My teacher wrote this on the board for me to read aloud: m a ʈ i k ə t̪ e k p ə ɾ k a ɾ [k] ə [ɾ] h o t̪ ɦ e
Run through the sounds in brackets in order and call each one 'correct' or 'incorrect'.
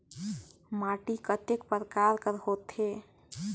correct, correct

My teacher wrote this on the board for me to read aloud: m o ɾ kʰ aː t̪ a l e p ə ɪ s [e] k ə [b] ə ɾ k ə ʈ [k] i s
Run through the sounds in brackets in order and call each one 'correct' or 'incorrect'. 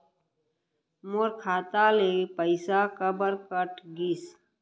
incorrect, correct, incorrect

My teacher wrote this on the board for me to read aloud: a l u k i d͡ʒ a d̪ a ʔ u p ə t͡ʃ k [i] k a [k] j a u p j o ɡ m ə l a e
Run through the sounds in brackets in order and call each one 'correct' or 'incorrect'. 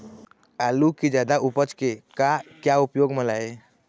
incorrect, correct

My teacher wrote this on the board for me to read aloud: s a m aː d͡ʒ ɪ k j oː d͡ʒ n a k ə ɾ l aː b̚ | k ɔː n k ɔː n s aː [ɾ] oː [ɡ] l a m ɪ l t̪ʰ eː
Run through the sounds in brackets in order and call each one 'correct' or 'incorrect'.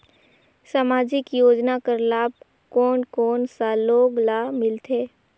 incorrect, correct

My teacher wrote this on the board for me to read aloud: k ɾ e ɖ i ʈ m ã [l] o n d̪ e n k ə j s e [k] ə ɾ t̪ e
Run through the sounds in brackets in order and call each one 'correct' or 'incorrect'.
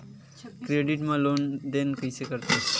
correct, correct

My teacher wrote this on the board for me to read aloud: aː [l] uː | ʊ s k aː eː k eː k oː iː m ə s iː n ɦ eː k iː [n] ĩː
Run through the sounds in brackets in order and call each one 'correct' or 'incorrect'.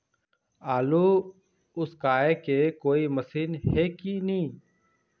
correct, correct

